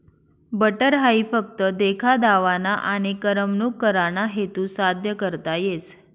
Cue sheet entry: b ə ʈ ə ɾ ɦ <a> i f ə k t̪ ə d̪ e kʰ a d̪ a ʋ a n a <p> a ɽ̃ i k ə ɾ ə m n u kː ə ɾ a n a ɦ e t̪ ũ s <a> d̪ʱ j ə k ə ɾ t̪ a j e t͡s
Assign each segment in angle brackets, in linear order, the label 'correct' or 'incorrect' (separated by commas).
correct, incorrect, correct